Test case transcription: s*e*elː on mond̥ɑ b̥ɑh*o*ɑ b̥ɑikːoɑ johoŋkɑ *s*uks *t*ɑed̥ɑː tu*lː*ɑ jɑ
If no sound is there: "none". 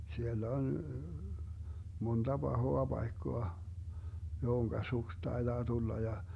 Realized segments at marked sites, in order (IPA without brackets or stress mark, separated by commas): i, o, s, t, lː